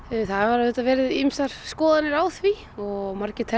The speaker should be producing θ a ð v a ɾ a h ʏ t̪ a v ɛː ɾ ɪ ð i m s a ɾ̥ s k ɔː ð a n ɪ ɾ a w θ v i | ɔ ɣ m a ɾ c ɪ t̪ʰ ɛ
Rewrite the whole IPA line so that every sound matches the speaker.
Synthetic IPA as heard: θ a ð v a ɾ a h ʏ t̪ a v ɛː ɾ ɪ ð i m s a ɾ̥ s k ɔː ð a n ɪ ɾ a w θ v i | ɔ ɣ m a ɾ c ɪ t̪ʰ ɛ